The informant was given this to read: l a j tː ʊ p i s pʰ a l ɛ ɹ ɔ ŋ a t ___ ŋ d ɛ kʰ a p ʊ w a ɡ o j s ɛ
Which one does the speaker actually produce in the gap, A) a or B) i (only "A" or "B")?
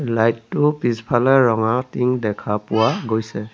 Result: B